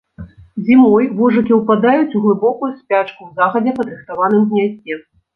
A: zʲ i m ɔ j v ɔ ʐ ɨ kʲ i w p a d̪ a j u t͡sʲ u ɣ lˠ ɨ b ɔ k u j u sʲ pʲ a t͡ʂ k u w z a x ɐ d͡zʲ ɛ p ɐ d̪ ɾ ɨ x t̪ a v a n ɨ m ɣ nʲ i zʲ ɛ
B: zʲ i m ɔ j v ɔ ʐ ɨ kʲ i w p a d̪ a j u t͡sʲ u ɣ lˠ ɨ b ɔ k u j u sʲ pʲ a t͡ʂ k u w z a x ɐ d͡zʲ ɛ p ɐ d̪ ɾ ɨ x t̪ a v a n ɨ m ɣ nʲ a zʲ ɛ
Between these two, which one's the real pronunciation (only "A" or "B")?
B